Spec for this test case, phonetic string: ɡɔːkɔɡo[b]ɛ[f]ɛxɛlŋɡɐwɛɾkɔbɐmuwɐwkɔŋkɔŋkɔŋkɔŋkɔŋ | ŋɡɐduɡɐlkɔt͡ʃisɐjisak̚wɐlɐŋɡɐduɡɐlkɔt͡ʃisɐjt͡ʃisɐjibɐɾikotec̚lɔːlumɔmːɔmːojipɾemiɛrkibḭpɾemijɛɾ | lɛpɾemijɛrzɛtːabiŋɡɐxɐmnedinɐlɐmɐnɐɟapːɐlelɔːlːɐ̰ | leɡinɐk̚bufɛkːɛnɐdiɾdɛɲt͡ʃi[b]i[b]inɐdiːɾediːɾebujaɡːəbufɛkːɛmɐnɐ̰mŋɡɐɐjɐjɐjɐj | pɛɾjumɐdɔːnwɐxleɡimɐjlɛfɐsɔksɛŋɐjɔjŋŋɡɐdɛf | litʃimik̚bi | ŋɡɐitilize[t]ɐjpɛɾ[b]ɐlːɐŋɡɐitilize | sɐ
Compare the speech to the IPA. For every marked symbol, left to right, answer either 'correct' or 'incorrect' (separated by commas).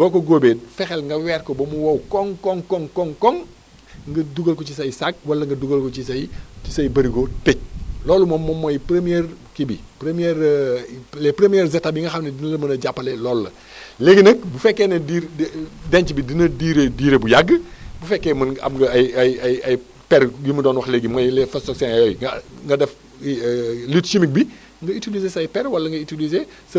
correct, correct, correct, incorrect, incorrect, incorrect